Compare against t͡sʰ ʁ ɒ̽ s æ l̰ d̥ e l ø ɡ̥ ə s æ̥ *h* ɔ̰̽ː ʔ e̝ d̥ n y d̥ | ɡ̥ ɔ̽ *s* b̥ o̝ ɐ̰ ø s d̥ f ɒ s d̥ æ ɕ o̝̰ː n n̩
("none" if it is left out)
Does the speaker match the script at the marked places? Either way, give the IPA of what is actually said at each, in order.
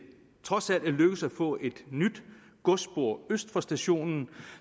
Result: f, s

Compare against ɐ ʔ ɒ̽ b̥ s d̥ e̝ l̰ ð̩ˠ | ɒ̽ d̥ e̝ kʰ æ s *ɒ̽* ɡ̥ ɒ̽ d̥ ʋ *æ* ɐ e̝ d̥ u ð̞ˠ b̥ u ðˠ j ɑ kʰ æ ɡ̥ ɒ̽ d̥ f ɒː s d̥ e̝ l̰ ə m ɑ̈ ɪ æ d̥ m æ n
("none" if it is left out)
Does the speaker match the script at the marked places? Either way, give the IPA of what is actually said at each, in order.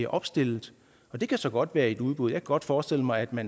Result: ɒ̽, æː

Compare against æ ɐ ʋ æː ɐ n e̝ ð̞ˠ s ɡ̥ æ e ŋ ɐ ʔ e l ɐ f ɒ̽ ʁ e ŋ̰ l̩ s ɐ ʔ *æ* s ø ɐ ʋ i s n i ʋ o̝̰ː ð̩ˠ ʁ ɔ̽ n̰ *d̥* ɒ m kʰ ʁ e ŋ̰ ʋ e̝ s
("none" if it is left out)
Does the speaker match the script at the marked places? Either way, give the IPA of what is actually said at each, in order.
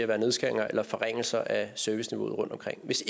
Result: æ, d̥

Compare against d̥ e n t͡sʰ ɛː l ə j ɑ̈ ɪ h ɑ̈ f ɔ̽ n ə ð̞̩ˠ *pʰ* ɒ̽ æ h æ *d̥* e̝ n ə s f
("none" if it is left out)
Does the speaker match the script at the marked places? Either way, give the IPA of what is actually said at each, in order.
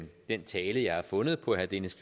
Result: pʰ, d̥

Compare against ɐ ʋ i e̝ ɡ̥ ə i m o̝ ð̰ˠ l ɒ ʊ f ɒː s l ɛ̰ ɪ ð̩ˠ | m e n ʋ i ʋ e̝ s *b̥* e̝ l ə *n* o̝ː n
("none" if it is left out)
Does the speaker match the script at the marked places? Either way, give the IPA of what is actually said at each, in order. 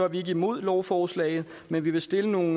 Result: d̥, n

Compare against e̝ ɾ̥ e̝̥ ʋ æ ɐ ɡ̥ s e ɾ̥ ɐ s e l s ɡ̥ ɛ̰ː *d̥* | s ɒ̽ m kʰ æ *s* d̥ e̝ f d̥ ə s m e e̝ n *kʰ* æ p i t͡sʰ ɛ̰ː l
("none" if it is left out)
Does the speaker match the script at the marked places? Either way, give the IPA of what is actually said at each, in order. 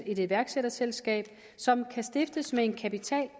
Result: b̥, s, kʰ

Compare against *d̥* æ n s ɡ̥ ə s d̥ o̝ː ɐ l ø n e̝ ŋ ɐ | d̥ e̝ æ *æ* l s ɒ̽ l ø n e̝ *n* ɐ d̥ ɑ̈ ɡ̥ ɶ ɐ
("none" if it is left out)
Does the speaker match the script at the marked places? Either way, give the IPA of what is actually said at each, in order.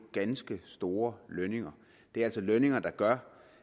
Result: ɡ̥, æ, ŋ

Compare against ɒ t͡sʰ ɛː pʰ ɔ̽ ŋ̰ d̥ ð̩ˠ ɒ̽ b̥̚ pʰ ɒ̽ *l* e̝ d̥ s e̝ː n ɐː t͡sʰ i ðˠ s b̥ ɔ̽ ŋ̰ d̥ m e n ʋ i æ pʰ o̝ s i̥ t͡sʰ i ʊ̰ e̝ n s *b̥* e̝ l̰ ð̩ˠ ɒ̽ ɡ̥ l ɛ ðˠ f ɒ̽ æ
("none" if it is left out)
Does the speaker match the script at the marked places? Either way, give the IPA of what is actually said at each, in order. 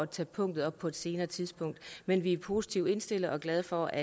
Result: none, d̥

